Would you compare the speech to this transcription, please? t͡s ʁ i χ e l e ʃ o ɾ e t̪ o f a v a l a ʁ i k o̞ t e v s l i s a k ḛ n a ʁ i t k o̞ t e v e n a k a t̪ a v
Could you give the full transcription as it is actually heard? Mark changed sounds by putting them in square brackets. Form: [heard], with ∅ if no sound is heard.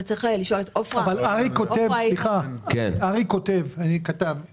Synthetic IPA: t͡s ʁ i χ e l [i] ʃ o [l] e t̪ o f a v a l a ʁ i k o̞ t e v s l i [χ] a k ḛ n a ʁ i [∅] k o̞ t e v [a] n [i] k a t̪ a v